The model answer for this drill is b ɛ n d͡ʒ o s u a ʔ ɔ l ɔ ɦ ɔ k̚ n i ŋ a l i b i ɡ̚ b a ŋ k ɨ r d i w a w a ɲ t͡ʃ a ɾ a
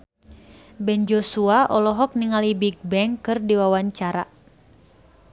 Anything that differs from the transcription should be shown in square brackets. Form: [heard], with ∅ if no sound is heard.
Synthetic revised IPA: b ɛ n d͡ʒ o s u a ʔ ɔ l ɔ ɦ ɔ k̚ n i ŋ a l i b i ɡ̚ b [ɛ] ŋ k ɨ r d i w a w a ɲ t͡ʃ a ɾ a